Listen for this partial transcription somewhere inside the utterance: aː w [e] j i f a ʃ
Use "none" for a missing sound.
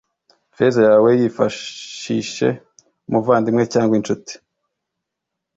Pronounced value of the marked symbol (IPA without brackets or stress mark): e